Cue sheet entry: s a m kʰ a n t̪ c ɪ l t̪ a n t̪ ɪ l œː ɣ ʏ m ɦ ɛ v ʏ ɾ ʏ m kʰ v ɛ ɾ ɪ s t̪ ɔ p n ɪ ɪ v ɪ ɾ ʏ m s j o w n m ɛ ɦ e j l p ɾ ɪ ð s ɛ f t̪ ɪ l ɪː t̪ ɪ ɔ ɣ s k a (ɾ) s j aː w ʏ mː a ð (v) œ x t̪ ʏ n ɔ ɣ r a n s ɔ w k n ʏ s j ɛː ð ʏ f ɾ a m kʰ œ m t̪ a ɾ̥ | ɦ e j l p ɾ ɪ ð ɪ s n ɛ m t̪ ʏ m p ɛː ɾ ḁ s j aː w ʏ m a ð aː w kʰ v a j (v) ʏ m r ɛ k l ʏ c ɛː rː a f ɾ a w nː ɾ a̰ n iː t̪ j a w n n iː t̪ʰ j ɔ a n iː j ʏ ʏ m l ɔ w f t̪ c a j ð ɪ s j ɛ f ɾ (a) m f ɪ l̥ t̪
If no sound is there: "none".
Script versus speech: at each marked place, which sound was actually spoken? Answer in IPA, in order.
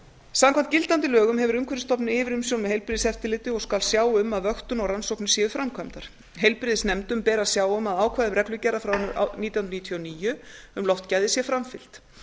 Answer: l, v, ð, a

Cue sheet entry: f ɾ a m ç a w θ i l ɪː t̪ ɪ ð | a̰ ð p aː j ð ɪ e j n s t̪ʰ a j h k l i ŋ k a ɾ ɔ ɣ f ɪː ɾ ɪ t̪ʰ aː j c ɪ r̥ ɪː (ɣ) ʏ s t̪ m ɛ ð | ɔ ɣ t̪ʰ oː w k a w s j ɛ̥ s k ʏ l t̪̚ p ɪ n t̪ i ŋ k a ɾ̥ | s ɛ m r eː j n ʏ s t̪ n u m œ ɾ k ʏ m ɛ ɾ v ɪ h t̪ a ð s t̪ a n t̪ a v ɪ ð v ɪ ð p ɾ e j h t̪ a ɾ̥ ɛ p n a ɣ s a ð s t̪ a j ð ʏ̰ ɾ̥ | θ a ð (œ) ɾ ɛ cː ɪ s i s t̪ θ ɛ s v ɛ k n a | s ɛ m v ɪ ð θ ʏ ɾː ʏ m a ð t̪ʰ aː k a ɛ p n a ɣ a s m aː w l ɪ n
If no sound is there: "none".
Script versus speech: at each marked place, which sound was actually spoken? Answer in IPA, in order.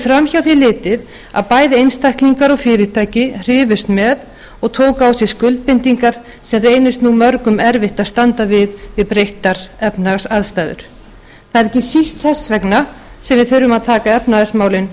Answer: v, ɛ

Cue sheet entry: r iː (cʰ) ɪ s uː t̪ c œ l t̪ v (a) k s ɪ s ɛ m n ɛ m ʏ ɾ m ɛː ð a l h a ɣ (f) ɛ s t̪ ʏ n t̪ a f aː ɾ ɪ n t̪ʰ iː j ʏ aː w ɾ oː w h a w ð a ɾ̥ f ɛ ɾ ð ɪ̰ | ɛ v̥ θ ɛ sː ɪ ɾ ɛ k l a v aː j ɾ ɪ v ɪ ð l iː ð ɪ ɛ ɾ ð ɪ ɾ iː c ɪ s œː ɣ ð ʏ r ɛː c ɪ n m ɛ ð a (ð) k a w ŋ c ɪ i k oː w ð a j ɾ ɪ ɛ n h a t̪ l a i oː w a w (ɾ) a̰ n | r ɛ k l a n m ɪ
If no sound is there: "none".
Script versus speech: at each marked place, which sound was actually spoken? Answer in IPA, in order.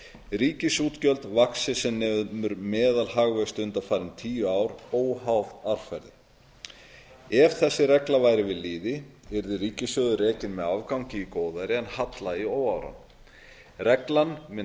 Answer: c, a, v, v, ɾ

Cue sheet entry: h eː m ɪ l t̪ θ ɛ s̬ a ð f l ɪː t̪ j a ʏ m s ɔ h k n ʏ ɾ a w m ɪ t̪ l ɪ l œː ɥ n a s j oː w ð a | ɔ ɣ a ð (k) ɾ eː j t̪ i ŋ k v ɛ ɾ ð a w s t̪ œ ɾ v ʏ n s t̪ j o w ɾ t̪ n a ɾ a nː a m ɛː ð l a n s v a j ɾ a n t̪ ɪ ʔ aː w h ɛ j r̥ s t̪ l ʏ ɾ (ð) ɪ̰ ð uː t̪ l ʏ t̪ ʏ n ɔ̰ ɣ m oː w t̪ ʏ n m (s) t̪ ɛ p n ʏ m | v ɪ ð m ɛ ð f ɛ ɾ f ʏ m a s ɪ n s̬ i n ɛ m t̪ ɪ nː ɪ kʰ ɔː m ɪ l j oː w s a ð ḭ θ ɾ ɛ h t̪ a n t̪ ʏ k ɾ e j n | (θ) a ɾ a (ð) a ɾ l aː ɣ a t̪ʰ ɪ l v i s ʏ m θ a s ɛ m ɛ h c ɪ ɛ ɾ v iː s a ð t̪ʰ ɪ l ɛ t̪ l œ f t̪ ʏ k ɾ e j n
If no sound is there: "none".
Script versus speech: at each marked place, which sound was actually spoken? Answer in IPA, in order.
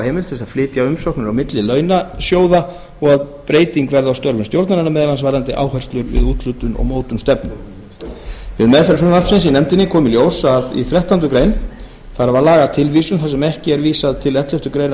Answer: p, v, s, θ, v

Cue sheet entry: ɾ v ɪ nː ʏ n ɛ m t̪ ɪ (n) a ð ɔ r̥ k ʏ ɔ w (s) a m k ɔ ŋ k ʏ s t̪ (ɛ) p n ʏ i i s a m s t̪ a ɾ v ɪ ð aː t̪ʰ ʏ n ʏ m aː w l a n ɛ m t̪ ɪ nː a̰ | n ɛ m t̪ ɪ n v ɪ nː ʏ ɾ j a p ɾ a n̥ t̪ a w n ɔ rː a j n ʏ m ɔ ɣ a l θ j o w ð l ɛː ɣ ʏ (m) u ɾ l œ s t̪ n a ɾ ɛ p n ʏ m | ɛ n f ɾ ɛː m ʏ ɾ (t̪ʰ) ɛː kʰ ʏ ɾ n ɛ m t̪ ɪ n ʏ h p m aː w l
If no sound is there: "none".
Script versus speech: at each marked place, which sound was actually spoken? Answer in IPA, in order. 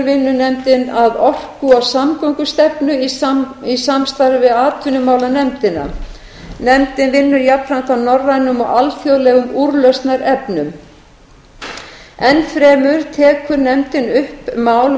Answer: n, s, ɛ, m, t̪ʰ

